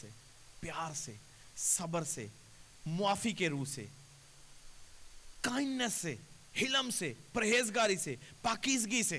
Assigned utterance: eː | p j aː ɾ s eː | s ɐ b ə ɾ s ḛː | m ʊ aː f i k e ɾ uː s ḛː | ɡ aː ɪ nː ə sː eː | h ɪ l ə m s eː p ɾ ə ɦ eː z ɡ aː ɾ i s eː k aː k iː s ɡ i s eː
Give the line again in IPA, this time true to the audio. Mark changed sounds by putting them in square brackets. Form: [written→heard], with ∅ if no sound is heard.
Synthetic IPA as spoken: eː | p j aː ɾ s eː | s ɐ b ə ɾ s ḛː | m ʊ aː f i k e ɾ uː s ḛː | [ɡ→k] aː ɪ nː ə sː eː | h ɪ l ə m s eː p ɾ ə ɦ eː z ɡ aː ɾ i s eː [k→p] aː k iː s ɡ i s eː